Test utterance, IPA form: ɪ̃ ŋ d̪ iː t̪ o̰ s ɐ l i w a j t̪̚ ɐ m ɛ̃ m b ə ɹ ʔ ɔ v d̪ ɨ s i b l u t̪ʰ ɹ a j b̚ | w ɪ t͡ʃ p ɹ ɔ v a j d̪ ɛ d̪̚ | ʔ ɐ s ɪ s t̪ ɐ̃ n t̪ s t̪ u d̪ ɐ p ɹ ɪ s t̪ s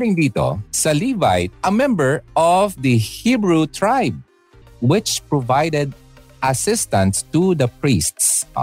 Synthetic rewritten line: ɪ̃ ŋ d̪ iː t̪ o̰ s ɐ l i v a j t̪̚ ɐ m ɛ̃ m b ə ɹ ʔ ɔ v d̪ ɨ h i b ɹ u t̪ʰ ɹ a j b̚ | w ɪ t͡ʃ p ɹ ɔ v a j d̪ ɛ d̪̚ | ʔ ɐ s ɪ s t̪ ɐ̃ n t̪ s t̪ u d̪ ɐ p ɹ i s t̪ s